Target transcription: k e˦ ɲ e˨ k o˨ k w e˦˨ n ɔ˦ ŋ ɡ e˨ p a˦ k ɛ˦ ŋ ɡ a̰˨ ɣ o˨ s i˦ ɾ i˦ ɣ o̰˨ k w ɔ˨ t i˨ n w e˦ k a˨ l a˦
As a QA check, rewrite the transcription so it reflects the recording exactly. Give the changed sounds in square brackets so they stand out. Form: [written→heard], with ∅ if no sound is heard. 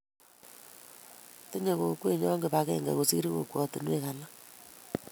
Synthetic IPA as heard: [k→t] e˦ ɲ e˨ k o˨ k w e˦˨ [n→ɲ] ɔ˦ ŋ ɡ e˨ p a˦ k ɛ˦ ŋ ɡ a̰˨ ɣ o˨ s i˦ ɾ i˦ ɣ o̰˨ k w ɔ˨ t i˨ n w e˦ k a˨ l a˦